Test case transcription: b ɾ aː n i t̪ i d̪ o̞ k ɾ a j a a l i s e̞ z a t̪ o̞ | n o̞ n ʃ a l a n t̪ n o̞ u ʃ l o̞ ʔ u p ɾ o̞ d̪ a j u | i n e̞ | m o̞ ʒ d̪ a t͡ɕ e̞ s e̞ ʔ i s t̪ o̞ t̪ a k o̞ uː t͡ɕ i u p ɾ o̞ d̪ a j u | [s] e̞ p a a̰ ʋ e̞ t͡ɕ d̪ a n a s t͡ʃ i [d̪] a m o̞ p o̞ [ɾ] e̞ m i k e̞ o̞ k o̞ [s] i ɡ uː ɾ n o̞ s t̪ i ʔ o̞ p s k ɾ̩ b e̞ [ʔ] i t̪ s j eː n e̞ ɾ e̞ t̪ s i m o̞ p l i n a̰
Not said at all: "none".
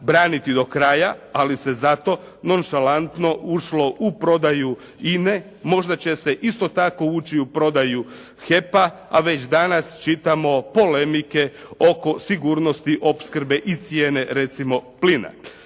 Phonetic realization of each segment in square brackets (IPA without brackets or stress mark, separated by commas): x, t̪, l, s, ʔ